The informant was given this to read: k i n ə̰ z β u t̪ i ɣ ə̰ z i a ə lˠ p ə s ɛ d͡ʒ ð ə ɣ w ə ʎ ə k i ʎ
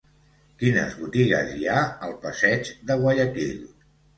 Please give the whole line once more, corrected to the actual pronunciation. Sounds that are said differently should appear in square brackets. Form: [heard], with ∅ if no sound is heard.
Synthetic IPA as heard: k i n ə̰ z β u t̪ i ɣ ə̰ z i a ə lˠ p ə s ɛ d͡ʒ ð ə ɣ w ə ʎ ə k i ʎ

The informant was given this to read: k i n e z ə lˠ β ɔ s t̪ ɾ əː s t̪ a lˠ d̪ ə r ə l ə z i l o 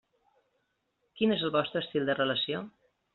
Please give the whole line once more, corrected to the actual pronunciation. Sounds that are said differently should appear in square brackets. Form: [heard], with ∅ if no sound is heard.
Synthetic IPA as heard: k i n e z ə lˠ β ɔ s t̪ ɾ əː s t̪ [i] lˠ d̪ ə r ə l ə [s] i [∅] o

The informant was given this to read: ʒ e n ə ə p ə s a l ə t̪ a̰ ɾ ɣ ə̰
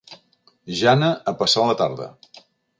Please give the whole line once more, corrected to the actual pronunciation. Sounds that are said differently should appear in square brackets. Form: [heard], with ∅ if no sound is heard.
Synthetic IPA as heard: ʒ [a] n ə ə p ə s a l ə t̪ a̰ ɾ [ð] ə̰

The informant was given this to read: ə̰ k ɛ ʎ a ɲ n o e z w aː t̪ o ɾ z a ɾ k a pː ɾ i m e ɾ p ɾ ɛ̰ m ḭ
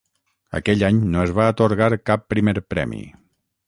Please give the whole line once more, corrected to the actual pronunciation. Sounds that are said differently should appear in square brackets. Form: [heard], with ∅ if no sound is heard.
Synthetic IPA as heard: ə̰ k ɛ ʎ a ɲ n o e z [β] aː t̪ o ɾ [ɣ] a ɾ k a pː ɾ i m e ɾ p ɾ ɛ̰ m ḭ

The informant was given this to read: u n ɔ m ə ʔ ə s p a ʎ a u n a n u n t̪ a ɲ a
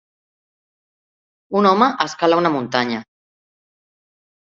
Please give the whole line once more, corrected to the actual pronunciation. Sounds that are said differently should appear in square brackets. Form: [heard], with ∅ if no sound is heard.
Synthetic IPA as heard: u n ɔ m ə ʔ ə s [k] a [l] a u n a [m] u n t̪ a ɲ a

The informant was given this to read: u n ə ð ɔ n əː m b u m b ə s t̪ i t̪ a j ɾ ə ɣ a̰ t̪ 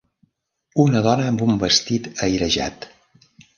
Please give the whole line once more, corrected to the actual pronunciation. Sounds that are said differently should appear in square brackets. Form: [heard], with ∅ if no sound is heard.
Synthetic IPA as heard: u n ə ð ɔ n əː m b u m b ə s t̪ i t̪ [ə] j ɾ ə [ʒ] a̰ t̪

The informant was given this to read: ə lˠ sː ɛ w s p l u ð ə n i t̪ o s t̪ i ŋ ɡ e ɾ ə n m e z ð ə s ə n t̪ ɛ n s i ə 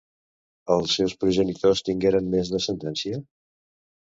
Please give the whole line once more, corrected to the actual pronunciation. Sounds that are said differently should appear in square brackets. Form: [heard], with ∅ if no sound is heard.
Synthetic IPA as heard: ə lˠ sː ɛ w s p [ɾ] u [ʒ] ə n i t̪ o s t̪ i ŋ ɡ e ɾ ə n m e z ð ə s ə n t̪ ɛ n s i ə

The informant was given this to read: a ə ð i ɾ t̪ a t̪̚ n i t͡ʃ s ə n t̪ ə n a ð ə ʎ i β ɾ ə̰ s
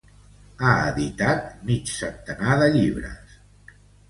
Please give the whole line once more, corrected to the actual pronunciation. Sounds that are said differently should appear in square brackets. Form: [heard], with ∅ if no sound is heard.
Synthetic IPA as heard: a ə ð i [∅] t̪ a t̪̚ [m] i t͡ʃ s ə n t̪ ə n a ð ə ʎ i β ɾ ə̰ s

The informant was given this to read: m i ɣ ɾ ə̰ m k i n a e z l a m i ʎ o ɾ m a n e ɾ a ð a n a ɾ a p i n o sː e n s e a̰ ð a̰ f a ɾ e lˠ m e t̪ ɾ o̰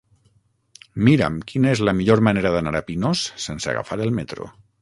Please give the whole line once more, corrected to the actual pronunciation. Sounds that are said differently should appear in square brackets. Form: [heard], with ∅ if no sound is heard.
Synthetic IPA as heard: m i [∅] ɾ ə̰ m k i n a e z l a m i ʎ o ɾ m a n e ɾ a ð a n a ɾ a p i n o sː e n s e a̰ [ɣ] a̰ f a ɾ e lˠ m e t̪ ɾ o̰

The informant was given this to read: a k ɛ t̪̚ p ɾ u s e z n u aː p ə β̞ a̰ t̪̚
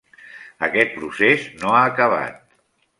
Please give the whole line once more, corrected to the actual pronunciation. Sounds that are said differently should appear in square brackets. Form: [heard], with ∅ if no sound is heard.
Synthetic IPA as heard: [ə] k ɛ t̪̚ p ɾ u s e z n [o] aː [k] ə β̞ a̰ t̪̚

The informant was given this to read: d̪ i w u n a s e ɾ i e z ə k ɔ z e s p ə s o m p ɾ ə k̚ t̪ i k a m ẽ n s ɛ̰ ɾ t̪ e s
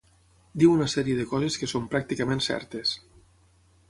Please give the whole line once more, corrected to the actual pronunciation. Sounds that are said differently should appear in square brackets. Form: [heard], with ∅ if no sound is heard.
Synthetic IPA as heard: d̪ i w u n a s [ɛ] ɾ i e [ð] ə k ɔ z e s [k] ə s o m p ɾ [a] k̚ t̪ i k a m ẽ n s ɛ̰ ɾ t̪ e s

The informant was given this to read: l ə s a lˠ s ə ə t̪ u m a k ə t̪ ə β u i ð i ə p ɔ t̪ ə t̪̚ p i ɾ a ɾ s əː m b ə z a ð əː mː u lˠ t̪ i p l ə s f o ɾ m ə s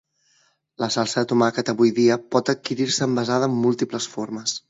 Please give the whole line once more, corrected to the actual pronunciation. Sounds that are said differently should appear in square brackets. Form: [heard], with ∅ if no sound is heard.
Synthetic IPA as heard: l ə s a lˠ s ə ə t̪ u m a k ə t̪ ə β u [j] ð i ə p ɔ t̪ ə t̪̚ [k] i ɾ [i] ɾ s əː m b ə z a ð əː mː u lˠ t̪ i p l ə s f o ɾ m ə s

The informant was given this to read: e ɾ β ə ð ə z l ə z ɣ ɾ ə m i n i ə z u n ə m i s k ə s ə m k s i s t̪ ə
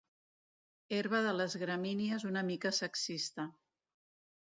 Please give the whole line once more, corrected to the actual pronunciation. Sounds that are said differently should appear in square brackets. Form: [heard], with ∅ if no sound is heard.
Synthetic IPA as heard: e ɾ β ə ð ə [∅] l ə z ɣ ɾ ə m i n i ə z u n ə m i [∅] k ə s ə [∅] k s i s t̪ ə

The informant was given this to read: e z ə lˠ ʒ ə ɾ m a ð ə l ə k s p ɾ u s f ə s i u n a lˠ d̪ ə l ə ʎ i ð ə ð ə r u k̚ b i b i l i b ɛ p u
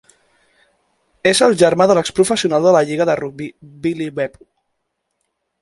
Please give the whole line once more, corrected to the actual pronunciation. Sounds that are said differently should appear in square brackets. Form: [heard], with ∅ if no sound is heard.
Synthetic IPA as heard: e z ə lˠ ʒ ə ɾ m a ð ə l ə k s p ɾ u [∅] f ə s i u n a lˠ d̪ ə l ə ʎ i [ɣ] ə ð ə r u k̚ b i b i l i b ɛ p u

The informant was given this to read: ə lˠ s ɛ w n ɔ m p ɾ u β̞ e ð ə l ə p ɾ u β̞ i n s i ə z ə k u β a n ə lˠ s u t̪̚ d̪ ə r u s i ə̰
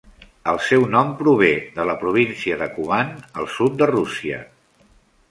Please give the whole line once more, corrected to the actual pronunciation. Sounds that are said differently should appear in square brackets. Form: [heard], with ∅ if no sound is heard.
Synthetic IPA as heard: ə lˠ s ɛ w n ɔ m p ɾ u β̞ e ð ə l ə p ɾ u β̞ i n s i ə [ð] ə k u β a n ə lˠ s u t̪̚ d̪ ə r u s i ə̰

